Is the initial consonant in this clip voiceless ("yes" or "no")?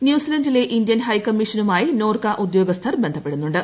no